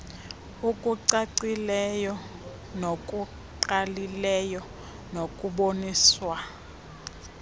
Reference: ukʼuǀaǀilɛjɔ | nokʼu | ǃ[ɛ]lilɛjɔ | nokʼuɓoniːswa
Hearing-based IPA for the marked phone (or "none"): a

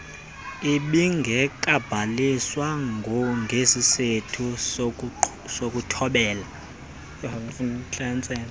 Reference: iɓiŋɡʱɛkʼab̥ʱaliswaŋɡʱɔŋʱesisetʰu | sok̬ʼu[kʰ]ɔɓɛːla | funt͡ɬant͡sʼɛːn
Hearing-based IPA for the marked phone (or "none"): tʰ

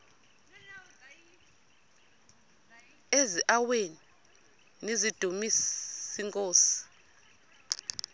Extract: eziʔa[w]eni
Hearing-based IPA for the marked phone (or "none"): w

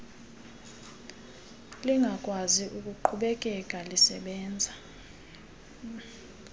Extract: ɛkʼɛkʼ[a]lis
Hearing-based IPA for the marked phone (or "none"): a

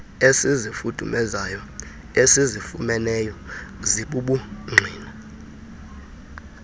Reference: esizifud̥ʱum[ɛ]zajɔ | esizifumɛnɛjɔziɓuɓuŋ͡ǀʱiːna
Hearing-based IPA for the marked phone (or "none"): ɛ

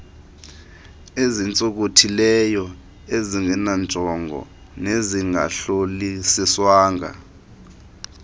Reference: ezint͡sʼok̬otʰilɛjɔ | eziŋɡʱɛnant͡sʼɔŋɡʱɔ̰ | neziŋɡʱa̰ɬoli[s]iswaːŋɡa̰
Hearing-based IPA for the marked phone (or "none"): s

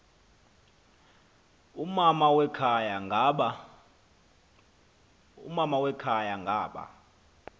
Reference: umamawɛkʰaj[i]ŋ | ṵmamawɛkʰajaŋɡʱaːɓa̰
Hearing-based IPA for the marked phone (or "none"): a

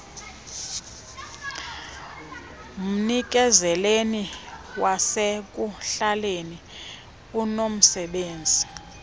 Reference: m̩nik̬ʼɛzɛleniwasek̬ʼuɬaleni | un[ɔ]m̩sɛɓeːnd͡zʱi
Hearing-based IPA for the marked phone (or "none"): o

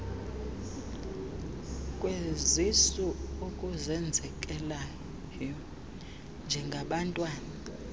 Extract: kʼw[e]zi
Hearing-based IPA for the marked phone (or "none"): e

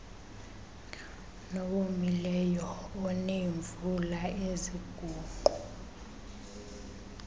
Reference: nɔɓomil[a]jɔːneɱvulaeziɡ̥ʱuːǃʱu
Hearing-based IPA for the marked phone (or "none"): ɛ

